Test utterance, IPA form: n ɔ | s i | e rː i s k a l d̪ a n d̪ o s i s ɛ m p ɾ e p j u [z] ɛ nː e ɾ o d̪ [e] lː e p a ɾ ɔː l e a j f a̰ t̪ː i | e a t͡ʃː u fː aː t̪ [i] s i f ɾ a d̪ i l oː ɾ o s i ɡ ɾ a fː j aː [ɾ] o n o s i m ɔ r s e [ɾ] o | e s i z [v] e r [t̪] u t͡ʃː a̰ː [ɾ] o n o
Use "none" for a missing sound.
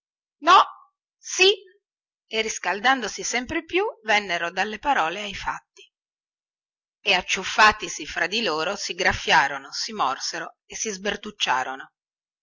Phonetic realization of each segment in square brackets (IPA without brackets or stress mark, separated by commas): v, a, i, ɾ, ɾ, b, t̪, ɾ